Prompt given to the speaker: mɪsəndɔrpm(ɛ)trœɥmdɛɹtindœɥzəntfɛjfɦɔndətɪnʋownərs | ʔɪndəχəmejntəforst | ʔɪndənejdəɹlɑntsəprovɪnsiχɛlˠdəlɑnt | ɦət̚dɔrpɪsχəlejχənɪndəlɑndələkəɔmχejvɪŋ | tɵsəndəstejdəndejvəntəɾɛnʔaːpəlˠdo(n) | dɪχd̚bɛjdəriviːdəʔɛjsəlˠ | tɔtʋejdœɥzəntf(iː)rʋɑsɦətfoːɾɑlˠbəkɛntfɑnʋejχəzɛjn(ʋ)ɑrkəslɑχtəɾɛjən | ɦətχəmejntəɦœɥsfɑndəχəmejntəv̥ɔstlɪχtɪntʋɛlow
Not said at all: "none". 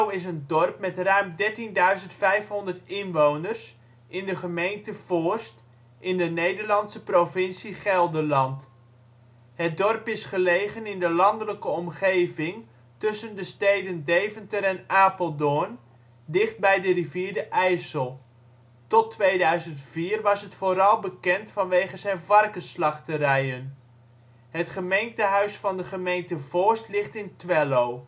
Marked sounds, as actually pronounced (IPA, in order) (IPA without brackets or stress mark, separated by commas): ɛ, n, iː, v